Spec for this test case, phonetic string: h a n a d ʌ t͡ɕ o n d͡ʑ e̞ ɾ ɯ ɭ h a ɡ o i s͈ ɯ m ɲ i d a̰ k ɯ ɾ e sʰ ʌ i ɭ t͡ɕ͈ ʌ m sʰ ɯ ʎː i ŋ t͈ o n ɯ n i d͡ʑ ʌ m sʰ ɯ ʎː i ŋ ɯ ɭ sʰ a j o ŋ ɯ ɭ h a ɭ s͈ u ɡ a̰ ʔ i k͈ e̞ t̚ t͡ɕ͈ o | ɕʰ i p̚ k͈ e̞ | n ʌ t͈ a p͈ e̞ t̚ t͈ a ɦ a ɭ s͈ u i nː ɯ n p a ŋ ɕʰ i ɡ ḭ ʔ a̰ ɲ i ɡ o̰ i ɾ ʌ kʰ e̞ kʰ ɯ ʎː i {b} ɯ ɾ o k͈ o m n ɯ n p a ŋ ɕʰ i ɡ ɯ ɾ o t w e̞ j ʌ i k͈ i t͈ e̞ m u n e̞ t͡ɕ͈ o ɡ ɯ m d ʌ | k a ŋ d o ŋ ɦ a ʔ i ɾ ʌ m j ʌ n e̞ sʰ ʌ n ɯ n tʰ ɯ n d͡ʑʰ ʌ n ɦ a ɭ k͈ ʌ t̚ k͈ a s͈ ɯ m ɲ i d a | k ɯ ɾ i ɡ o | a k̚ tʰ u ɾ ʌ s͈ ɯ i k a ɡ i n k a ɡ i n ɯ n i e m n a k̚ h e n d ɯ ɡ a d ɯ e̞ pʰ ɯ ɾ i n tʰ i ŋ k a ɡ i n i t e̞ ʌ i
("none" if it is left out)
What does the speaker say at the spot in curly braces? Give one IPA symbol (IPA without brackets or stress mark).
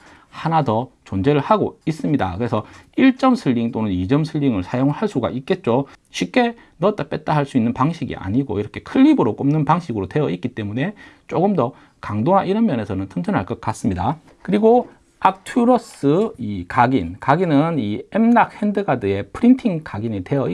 b